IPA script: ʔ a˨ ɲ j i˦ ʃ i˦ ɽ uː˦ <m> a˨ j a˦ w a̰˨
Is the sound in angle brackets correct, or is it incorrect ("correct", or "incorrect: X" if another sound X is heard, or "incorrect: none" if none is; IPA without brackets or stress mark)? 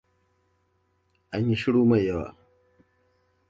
correct